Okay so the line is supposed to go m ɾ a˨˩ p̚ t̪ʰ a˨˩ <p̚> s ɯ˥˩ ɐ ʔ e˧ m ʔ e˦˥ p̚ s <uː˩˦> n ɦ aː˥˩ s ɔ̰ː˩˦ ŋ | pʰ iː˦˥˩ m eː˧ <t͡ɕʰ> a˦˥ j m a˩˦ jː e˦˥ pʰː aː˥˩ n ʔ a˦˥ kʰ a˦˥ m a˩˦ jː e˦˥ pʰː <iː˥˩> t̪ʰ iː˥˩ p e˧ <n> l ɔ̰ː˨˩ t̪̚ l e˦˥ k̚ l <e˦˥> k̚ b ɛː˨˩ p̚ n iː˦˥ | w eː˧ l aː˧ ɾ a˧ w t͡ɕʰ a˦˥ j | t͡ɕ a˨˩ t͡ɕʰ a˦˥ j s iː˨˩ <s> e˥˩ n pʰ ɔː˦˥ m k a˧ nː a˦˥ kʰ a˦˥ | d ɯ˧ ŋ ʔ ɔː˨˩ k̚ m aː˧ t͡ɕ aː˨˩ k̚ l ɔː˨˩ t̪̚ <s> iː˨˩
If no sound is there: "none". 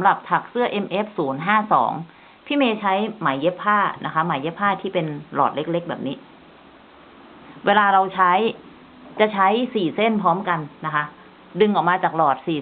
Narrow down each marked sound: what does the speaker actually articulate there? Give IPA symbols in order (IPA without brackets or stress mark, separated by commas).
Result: k̚, uː˩˦, t͡ɕʰ, aː˥˩, n, e˦˥, s, s